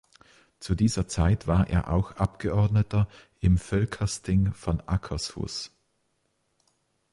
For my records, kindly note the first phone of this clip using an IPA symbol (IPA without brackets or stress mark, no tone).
t͡s